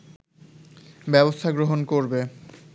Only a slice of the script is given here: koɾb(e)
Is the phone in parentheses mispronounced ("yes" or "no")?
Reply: no